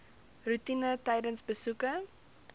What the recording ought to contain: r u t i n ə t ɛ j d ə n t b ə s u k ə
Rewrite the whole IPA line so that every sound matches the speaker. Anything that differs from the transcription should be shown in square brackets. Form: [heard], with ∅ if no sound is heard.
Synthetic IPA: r u t i n ə t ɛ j d ə n [s] b ə s u k ə